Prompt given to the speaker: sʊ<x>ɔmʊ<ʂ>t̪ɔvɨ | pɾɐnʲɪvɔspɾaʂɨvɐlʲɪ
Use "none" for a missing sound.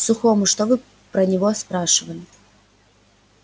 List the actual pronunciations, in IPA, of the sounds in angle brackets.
x, ʂ

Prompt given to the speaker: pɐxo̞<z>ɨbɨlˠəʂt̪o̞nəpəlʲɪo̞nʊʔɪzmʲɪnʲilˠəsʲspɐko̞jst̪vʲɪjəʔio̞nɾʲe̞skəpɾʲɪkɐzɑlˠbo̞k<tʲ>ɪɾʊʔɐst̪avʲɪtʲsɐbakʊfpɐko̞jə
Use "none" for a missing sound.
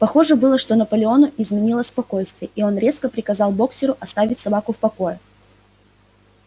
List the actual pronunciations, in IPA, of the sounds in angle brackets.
ʐ, sʲ

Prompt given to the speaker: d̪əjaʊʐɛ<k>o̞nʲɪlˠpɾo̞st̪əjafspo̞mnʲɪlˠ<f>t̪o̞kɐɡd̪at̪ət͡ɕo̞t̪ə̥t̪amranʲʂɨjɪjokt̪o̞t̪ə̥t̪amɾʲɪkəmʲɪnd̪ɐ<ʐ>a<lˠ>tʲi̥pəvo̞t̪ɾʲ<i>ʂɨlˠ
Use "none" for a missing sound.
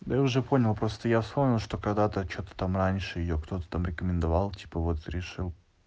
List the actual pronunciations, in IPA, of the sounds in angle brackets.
p, ʂ, v, lˠ, ɪ

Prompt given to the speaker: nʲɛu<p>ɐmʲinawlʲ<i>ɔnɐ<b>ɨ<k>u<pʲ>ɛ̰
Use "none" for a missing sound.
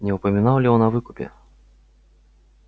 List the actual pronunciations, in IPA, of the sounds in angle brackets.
p, i, v, k, pʲ

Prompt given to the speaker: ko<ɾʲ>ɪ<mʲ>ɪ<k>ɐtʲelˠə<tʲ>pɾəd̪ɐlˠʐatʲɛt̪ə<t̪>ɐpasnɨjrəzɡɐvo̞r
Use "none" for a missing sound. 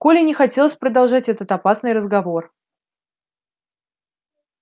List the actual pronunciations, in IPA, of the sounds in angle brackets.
lʲ, nʲ, x, sʲ, t̪

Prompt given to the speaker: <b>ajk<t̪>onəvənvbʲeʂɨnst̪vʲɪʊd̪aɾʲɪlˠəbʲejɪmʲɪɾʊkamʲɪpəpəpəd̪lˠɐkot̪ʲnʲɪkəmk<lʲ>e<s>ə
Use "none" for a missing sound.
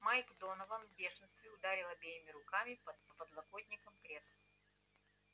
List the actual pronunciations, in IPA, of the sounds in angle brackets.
m, d̪, ɾʲ, s

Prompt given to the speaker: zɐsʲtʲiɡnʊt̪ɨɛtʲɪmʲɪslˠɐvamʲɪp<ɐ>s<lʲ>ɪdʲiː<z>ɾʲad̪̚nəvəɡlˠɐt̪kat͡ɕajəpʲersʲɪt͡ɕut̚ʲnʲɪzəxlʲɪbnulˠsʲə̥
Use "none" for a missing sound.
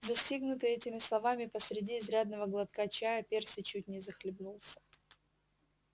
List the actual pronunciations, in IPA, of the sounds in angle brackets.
ə, ɾʲ, z

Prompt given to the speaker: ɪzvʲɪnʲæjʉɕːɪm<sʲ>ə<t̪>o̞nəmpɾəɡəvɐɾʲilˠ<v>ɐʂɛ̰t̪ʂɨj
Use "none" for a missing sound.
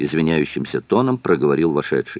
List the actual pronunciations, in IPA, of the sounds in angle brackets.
sʲ, t̪, v

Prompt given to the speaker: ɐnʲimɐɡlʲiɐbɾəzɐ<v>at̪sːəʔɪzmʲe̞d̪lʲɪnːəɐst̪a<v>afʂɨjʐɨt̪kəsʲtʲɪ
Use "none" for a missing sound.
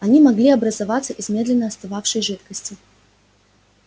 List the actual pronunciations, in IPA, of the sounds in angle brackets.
v, v

